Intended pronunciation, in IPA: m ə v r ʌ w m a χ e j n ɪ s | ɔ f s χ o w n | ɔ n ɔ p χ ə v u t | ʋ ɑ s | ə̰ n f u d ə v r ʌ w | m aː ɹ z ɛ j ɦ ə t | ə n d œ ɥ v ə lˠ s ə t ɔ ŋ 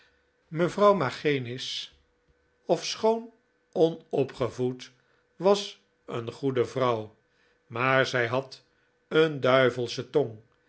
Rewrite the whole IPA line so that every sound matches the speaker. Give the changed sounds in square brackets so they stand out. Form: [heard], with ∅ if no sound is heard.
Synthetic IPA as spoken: m ə v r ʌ w m a χ e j n ɪ s | ɔ f s χ o w n | ɔ n ɔ p χ ə v u t | ʋ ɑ s | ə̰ n [χ] u d ə v r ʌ w | m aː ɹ z ɛ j ɦ [ɑ] t | ə n d œ ɥ v ə lˠ s ə t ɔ ŋ